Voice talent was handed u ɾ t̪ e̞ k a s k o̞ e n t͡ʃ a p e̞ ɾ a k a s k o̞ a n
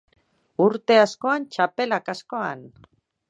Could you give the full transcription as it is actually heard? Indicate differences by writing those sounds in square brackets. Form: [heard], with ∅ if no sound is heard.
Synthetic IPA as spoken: u ɾ t̪ e̞ [∅] a s k o̞ [a] n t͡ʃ a p e̞ [l] a k a s k o̞ a n